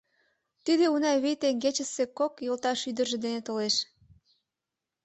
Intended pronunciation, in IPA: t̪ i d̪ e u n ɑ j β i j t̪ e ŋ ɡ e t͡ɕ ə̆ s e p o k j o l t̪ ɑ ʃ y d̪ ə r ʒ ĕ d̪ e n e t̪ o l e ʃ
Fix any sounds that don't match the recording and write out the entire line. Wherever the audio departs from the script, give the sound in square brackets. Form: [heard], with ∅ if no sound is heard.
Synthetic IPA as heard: t̪ i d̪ e u n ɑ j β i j t̪ e ŋ ɡ e t͡ɕ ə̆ s e [k] o k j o l t̪ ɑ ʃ y d̪ ə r ʒ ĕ d̪ e n e t̪ o l e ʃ